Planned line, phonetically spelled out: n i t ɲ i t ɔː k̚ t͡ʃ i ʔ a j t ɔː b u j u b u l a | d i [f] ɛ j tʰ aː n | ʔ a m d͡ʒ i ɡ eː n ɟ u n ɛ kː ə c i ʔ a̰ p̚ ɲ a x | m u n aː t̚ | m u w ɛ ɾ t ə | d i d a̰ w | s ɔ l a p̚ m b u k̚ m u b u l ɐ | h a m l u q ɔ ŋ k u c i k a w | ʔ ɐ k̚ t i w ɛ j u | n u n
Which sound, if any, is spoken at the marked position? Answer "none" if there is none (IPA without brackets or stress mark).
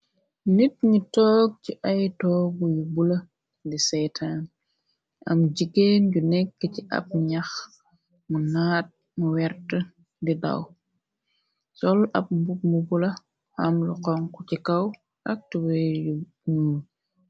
s